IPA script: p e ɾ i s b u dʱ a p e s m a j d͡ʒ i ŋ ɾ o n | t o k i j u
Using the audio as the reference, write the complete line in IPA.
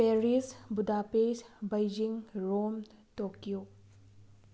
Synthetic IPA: p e ɾ i s b u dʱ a p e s b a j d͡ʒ i ŋ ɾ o m | t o k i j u